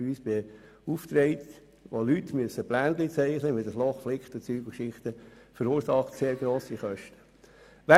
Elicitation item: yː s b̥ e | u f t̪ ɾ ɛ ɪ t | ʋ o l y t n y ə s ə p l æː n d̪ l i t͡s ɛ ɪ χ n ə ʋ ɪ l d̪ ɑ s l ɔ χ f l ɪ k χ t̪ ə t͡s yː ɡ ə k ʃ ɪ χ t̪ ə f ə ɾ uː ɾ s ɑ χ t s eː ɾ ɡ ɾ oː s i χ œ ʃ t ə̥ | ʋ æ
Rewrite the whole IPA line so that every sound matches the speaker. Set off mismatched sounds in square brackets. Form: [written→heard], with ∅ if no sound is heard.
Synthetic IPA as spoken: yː s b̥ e | u f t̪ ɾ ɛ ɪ t | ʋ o l y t [n→m] y ə s ə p l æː n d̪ l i t͡s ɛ ɪ χ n ə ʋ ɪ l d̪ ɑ s l ɔ χ f l ɪ k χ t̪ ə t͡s yː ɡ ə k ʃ ɪ χ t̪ ə f ə ɾ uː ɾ s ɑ χ t s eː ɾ ɡ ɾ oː s i χ œ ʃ t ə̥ | ʋ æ